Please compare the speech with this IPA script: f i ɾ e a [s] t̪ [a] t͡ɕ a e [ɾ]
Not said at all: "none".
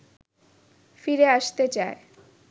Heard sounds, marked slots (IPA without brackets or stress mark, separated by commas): ʃ, e, none